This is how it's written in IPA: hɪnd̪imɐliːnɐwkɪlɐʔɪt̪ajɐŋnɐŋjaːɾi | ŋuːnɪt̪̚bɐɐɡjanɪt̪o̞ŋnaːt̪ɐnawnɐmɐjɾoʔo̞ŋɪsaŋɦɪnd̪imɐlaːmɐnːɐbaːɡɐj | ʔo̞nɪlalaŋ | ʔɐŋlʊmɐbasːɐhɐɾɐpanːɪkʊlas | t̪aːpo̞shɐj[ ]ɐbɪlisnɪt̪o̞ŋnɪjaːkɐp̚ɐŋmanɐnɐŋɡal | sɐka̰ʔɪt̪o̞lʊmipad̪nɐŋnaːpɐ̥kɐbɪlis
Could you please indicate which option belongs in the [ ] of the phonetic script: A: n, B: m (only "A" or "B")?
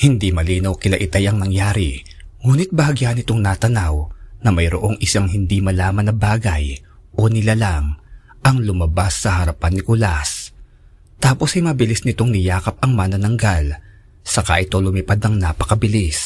B